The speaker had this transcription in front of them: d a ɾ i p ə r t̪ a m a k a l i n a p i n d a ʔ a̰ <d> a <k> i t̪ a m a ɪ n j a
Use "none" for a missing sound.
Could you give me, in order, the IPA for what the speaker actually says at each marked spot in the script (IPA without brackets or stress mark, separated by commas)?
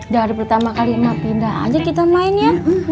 d͡ʒ, k